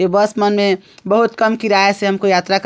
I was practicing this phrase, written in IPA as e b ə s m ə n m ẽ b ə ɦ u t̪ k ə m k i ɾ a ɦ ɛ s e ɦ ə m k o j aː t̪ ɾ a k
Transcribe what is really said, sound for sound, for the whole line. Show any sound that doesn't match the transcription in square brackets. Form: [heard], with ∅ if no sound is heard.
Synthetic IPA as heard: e b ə s m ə n m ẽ b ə ɦ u t̪ k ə m k i ɾ a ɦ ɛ s e ɦ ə m k o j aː t̪ ɾ a k